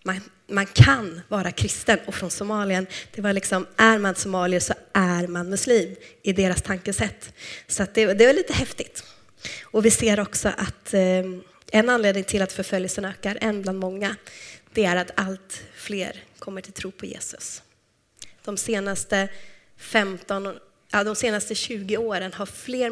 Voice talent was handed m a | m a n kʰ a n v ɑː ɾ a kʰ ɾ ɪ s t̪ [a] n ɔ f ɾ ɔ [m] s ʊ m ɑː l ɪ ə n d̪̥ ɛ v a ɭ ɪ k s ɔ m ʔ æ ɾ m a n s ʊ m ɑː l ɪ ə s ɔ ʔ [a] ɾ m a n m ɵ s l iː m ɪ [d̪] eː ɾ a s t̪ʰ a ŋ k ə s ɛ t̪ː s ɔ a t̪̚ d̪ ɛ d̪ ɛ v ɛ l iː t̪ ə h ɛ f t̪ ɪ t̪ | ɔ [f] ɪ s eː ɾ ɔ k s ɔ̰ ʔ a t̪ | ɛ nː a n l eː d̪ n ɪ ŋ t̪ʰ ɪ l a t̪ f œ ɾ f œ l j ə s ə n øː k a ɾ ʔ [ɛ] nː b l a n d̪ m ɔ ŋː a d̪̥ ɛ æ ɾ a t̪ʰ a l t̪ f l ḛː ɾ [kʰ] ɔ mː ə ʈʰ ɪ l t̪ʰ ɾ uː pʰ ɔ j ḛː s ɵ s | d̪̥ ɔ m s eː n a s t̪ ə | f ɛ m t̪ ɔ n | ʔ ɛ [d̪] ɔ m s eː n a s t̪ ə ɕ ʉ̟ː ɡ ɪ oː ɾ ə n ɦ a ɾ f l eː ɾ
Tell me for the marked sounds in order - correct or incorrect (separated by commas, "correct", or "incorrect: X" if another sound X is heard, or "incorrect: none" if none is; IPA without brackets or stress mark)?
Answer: incorrect: ə, incorrect: n, incorrect: æ, correct, incorrect: v, correct, correct, correct